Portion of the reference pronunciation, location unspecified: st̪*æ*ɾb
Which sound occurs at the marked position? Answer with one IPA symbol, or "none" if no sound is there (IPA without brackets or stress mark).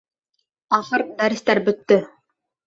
æ